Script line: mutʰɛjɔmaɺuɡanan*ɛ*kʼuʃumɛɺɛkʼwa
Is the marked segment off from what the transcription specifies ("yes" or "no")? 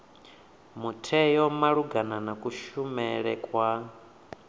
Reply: yes